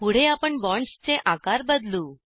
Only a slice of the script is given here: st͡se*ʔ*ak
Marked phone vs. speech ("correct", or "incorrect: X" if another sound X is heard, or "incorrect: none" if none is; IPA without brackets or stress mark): correct